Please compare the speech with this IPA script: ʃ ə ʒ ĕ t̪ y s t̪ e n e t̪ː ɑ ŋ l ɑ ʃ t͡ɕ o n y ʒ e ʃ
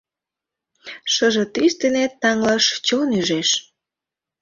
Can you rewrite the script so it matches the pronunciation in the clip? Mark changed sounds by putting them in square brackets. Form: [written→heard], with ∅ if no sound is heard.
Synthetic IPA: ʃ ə ʒ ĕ t̪ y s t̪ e n e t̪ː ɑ ŋ l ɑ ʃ t͡ɕ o n y ʒ e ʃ